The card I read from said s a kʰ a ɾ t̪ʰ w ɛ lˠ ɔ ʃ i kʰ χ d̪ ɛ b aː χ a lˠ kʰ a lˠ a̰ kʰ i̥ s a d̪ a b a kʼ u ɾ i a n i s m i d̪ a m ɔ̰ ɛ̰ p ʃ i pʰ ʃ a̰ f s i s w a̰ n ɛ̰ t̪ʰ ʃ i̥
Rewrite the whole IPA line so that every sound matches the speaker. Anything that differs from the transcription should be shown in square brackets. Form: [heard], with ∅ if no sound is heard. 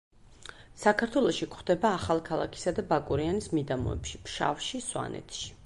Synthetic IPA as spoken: s a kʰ a ɾ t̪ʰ w ɛ lˠ ɔ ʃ i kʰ χ d̪ ɛ b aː χ a lˠ kʰ a lˠ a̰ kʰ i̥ s a d̪ a b a kʼ u ɾ i a n i s m i d̪ a m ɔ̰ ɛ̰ p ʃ i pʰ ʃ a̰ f [ʃ] i s w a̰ n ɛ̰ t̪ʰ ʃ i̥

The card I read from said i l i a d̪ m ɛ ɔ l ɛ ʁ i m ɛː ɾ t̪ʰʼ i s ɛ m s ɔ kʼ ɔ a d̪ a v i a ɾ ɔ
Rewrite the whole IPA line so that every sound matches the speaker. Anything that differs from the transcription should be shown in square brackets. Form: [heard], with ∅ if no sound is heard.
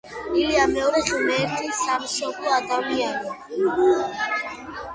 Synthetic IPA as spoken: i l i a [∅] m ɛ ɔ [ɾ] ɛ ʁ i m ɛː ɾ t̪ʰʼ i s [a] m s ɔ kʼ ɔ a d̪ a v i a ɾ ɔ

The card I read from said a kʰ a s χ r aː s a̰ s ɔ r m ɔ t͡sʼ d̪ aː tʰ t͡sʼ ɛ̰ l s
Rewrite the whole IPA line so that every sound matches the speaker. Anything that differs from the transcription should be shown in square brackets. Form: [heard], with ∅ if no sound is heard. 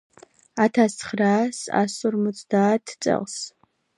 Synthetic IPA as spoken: a [tʰ] a s χ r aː s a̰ s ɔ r m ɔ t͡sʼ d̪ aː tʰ t͡sʼ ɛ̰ l s

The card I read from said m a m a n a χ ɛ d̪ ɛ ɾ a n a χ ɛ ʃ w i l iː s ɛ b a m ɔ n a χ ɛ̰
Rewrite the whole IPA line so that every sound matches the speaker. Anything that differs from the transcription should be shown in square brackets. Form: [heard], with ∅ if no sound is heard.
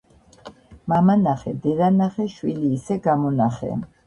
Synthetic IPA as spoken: m a m a n a χ ɛ d̪ ɛ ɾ a n a χ ɛ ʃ w i l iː s ɛ [ɡ] a m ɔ n a χ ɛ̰

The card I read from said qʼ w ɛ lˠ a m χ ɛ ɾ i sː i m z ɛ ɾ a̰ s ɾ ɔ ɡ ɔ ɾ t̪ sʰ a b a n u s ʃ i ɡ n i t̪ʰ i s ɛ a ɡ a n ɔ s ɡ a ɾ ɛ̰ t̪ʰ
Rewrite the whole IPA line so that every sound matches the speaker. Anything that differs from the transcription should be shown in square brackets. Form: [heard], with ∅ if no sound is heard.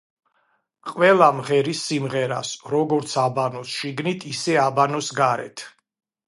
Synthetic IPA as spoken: qʼ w ɛ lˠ a m [ʁ] ɛ ɾ i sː i m [ʁ] ɛ ɾ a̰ s ɾ ɔ ɡ ɔ ɾ t̪ sʰ a b a n [ɔ] s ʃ i ɡ n i t̪ʰ i s ɛ a [b] a n ɔ s ɡ a ɾ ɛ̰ t̪ʰ

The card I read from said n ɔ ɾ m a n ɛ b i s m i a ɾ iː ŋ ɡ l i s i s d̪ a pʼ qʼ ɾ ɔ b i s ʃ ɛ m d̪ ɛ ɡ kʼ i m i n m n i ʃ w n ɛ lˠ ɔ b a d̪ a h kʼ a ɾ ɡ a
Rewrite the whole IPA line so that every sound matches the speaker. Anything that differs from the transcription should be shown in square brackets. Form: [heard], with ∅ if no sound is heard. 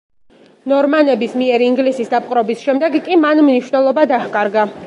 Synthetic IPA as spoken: n ɔ ɾ m a n ɛ b i s m i [ɛ] ɾ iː ŋ ɡ l i s i s d̪ a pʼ qʼ ɾ ɔ b i s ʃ ɛ m d̪ ɛ ɡ kʼ i m [a] n m n i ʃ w n ɛ lˠ ɔ b a d̪ a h kʼ a ɾ ɡ a

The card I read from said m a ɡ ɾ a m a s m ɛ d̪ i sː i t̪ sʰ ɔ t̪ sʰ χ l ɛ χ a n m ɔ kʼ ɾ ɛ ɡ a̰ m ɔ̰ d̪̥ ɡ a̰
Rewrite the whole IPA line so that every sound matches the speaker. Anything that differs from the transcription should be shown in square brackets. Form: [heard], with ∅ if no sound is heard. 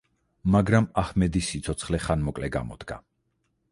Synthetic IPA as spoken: m a ɡ ɾ a m a [h] m ɛ d̪ i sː i t̪ sʰ ɔ t̪ sʰ χ l ɛ χ a n m ɔ kʼ [l] ɛ ɡ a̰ m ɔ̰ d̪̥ ɡ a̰

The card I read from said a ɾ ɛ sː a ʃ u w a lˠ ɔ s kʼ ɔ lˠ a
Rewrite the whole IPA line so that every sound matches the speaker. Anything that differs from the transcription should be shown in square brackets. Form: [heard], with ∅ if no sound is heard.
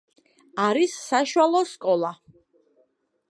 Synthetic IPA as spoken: a ɾ [i] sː a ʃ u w a lˠ ɔ s kʼ ɔ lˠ a

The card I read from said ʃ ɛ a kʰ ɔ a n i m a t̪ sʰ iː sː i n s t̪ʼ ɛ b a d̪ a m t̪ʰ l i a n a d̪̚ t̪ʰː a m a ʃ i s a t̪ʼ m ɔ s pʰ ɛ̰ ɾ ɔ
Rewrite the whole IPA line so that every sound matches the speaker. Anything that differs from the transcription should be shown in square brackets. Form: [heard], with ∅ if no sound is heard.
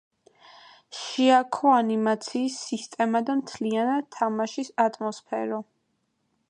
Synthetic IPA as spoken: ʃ [i] a kʰ ɔ a n i m a t̪ sʰ iː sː i [∅] s t̪ʼ ɛ [m] a d̪ a m t̪ʰ l i a n a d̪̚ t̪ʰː a m a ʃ i s a t̪ʼ m ɔ s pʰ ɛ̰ ɾ ɔ

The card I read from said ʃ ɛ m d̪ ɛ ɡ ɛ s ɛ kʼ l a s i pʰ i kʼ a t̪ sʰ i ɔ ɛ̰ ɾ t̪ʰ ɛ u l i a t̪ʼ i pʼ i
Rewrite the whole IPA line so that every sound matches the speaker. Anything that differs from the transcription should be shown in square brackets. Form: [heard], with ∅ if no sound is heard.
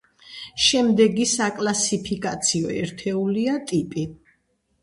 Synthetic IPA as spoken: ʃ ɛ m d̪ ɛ ɡ [i] s [a] kʼ l a s i pʰ i kʼ a t̪ sʰ i ɔ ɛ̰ ɾ t̪ʰ ɛ u l i a t̪ʼ i pʼ i

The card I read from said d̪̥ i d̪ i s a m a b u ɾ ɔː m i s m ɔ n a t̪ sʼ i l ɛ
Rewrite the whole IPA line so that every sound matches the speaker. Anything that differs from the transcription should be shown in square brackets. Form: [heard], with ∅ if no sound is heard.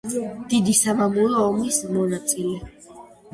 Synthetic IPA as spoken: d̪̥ i d̪ i s a m a [m] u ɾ ɔː m i s m ɔ n a t̪ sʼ i l ɛ

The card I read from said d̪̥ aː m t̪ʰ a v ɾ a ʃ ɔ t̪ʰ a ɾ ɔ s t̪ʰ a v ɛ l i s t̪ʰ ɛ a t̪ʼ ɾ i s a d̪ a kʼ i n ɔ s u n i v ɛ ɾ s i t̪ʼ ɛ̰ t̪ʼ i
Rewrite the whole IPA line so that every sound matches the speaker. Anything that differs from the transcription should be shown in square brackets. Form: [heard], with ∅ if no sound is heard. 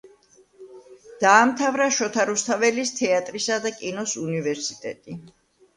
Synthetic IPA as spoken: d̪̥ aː m t̪ʰ a v ɾ a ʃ ɔ t̪ʰ a ɾ [u] s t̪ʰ a v ɛ l i s t̪ʰ ɛ a t̪ʼ ɾ i s a d̪ a kʼ i n ɔ s u n i v ɛ ɾ s i t̪ʼ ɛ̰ t̪ʼ i

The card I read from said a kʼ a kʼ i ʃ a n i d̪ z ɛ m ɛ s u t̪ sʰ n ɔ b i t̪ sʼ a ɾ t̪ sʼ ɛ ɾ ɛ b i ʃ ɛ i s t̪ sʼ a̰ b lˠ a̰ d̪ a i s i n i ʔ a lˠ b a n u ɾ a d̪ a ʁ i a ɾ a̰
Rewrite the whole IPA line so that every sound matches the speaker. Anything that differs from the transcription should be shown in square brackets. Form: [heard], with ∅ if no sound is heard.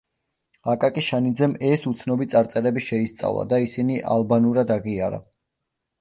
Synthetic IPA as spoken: a kʼ a kʼ i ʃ a n i d̪ z ɛ m ɛ s u t̪ sʰ n ɔ b i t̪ sʼ a ɾ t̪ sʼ ɛ ɾ ɛ b i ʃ ɛ i s t̪ sʼ a̰ [v] lˠ a̰ d̪ a i s i n i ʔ a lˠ b a n u ɾ a d̪ a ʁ i a ɾ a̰

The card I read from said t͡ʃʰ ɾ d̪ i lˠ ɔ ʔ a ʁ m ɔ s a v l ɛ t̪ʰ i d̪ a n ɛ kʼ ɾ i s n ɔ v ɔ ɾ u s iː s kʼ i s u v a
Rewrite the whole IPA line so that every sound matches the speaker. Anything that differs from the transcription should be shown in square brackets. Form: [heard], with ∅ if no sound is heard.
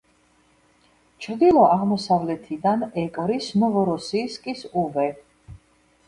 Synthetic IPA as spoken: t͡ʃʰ ɾ d̪ i lˠ ɔ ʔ a ʁ m ɔ s a v l ɛ t̪ʰ i d̪ a n ɛ kʼ ɾ i s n ɔ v ɔ ɾ [ɔ] s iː s kʼ i s u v [ɛ]

